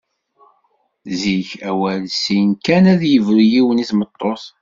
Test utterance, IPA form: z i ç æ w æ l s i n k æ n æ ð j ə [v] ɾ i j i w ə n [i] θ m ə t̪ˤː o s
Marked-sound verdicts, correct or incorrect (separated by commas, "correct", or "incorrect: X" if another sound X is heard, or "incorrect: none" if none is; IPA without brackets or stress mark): correct, correct